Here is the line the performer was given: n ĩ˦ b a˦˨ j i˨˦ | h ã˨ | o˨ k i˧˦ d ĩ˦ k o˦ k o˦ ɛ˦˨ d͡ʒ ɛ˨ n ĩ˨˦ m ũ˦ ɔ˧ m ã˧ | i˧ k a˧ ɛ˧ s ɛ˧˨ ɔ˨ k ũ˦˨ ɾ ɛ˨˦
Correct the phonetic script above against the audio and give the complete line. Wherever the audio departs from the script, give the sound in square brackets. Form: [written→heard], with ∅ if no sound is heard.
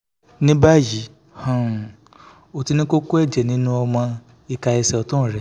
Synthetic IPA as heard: n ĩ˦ b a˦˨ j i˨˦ | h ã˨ | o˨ [k→t] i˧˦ [d→n] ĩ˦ k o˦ k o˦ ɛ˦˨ d͡ʒ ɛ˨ n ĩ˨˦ [m→n] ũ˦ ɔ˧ m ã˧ | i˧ k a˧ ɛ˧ s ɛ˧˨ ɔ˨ [k→t] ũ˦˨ ɾ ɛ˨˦